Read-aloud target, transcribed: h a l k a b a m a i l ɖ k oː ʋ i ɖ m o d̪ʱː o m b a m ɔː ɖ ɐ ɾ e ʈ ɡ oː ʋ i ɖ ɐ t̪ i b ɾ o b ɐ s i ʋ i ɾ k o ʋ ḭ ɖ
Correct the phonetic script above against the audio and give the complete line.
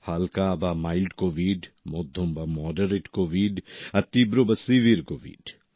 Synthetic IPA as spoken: h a l k a b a m a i l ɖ k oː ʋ i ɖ m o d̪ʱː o m b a m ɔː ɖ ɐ ɾ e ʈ k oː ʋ i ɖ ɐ t̪ i b ɾ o b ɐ s i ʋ i ɾ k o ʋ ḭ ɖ